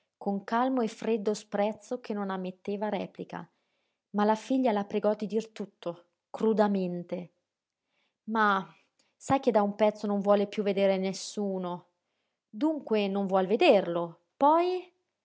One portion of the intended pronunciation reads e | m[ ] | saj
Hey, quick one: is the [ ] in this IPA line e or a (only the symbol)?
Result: a